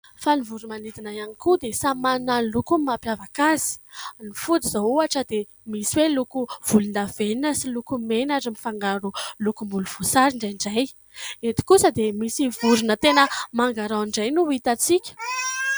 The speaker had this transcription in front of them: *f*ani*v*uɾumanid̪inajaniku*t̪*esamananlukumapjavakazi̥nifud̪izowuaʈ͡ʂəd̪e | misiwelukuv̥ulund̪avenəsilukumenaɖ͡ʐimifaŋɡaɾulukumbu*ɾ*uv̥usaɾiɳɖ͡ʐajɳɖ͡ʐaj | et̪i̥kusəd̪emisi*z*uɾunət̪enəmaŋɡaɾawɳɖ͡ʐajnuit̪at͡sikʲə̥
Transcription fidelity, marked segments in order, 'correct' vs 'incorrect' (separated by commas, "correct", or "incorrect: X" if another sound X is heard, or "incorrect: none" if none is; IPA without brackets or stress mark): correct, correct, incorrect: d̪, incorrect: l, incorrect: v